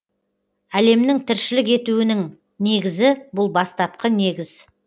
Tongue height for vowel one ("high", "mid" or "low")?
low